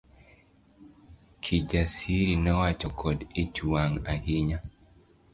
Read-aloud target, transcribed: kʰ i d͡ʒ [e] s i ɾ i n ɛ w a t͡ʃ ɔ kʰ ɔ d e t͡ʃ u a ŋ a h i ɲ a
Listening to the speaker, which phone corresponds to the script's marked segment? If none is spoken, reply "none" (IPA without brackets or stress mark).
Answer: a